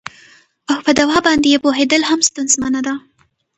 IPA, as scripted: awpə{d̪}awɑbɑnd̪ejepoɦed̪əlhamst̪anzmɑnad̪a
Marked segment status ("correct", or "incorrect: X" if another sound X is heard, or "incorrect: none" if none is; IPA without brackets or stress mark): correct